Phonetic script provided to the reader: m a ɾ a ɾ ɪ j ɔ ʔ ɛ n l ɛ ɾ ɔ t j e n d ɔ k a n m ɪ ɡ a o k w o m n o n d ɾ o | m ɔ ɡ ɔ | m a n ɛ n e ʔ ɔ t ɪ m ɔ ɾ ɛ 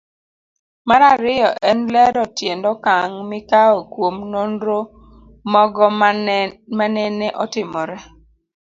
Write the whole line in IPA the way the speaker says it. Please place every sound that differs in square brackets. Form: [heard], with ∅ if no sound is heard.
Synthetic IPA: m a ɾ a ɾ ɪ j ɔ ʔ ɛ n l ɛ ɾ ɔ t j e n d ɔ k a [ŋ] m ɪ [k] a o k w o m n o n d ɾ o | m ɔ ɡ ɔ | m a n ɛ n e ʔ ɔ t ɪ m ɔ ɾ ɛ